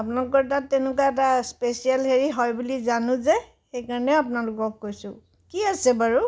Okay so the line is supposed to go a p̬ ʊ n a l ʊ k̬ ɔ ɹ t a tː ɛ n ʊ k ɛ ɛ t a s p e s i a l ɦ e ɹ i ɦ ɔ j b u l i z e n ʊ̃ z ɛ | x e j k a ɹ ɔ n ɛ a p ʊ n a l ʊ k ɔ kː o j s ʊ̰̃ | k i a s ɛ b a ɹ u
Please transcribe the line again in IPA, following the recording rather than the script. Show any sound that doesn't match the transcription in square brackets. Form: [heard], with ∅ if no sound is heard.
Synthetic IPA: a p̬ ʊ n a l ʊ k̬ ɔ ɹ t a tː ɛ n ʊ k [a] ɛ t a s p e s i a l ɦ e ɹ i ɦ ɔ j b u l i z [a] n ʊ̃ z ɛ | x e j k a ɹ ɔ n ɛ a p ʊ n a l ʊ k ɔ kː o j s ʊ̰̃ | k i a s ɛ b a ɹ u